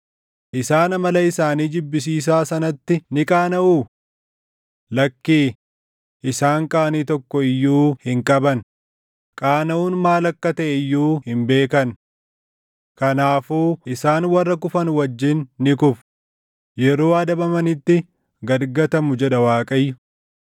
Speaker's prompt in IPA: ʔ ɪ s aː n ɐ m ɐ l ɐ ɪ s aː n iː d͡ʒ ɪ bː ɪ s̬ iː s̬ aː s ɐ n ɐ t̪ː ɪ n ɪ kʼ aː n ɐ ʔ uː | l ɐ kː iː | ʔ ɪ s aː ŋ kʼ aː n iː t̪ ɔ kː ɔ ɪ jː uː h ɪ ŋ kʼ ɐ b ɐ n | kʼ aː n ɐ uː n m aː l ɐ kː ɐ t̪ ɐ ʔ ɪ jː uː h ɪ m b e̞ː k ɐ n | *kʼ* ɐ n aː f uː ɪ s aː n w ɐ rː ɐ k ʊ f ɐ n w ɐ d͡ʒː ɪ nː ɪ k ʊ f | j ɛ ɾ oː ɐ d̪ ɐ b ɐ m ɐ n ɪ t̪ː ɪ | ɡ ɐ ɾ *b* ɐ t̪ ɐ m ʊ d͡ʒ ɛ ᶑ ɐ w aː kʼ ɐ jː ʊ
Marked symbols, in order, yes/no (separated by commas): no, no